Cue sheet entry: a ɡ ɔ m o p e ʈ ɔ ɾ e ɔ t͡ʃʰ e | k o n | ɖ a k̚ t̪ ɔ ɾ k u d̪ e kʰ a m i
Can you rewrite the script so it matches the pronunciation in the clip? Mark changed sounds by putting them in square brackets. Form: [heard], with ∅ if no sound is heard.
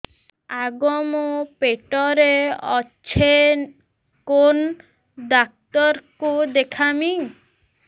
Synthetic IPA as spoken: a ɡ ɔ m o p e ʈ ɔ ɾ e ɔ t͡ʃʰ e | k o n | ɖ a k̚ t̪ ɔ ɾ k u d̪ e kʰ a m i